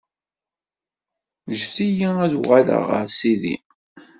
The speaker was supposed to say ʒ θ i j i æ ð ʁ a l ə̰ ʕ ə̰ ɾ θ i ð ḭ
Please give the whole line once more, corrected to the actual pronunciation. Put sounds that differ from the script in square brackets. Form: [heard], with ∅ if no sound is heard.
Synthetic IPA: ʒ θ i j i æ ð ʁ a l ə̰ [ʁ] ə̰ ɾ [s] i ð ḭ